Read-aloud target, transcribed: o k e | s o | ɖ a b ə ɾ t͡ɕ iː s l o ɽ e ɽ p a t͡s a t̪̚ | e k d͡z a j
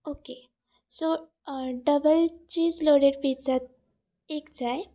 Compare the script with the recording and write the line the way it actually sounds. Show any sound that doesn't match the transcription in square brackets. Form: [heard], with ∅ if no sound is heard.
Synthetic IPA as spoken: o k e | s o | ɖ [ə] b ə [l] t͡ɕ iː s l o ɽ e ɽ p [i] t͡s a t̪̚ | e k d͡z a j